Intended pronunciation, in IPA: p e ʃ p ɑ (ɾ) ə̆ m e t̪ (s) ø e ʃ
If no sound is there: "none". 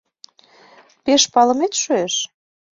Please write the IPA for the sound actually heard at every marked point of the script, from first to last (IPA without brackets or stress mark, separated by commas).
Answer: l, ʃ